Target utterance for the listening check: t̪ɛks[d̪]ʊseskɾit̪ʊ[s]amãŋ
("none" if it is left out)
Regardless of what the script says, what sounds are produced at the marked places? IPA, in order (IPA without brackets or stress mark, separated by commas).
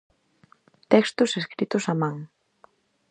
t̪, s